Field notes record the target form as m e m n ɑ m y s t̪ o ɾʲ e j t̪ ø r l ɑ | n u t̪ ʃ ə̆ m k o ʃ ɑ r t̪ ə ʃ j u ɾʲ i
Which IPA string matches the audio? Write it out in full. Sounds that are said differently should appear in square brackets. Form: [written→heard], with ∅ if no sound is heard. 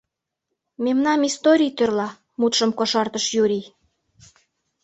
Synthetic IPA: m e m n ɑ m [y→i] s t̪ o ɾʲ [e→i] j t̪ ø r l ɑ | [n→m] u t̪ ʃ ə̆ m k o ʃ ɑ r t̪ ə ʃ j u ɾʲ i